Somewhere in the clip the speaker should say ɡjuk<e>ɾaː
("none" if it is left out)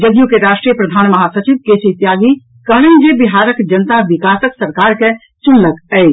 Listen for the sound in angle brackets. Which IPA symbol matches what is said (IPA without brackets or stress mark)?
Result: e